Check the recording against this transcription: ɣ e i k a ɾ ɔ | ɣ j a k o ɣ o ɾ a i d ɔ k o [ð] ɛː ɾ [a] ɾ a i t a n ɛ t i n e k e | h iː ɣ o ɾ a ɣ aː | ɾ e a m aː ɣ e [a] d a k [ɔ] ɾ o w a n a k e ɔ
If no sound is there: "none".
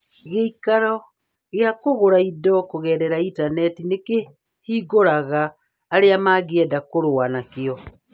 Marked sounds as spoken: ɣ, ɛ, ɛ, o

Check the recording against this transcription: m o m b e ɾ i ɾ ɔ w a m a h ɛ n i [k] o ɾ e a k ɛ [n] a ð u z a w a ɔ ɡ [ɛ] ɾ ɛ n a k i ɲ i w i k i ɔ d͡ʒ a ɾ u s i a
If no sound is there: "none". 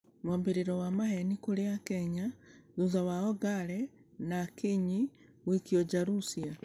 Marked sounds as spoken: k, ɲ, a

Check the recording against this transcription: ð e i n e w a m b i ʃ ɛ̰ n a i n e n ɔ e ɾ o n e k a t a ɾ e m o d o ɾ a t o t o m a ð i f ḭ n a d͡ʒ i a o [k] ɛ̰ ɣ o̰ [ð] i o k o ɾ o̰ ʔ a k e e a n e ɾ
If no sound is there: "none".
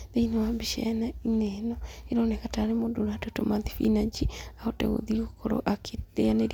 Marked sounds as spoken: t, ð

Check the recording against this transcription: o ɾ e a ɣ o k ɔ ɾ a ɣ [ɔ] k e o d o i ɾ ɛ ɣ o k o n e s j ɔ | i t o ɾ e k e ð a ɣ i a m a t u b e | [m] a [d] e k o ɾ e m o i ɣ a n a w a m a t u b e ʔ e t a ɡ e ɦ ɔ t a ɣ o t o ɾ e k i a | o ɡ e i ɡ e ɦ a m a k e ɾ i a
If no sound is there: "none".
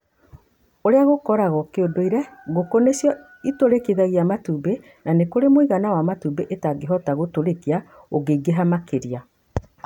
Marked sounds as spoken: ɔ, n, n

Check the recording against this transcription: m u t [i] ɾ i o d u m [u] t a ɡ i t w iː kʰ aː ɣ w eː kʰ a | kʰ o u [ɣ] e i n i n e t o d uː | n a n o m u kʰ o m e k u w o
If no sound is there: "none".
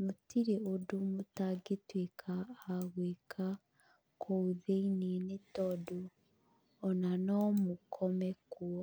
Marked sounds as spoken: i, u, ð

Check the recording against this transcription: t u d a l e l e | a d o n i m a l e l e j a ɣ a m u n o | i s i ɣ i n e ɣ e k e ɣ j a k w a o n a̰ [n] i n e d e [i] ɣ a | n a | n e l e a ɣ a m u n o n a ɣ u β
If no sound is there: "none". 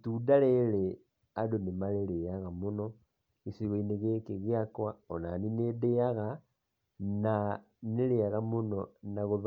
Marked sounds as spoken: n, a

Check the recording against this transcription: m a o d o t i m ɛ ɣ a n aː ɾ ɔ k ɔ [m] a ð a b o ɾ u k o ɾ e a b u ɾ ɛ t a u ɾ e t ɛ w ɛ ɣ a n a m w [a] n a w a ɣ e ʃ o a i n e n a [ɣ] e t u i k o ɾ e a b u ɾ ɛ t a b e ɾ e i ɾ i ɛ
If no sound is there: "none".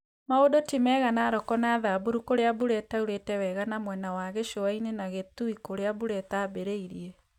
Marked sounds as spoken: n, ɛ, ɣ

